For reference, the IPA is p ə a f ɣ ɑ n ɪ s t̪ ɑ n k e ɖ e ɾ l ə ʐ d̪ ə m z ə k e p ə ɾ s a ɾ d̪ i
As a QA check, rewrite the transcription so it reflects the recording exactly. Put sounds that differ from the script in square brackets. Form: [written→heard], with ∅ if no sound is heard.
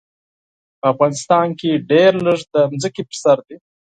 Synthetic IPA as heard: p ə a f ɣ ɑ n ɪ s t̪ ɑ n k e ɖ e ɾ l ə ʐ d̪ ə m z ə k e p ə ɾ s a ɾ d̪ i